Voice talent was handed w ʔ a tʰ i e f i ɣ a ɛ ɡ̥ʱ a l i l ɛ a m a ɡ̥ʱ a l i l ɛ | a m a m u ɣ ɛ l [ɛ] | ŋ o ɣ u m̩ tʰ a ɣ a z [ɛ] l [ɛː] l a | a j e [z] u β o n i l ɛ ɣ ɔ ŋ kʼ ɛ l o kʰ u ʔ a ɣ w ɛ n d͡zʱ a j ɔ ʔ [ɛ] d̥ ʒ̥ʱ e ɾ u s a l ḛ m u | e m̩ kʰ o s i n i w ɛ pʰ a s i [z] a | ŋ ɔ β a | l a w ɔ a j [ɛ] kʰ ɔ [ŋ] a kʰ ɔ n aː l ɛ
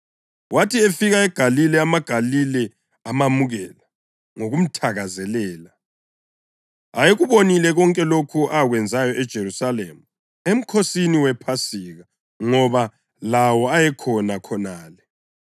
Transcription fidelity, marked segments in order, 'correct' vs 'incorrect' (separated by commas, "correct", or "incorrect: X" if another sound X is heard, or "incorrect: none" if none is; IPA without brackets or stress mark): incorrect: a, correct, correct, incorrect: ɣ, correct, incorrect: ɣ, correct, incorrect: n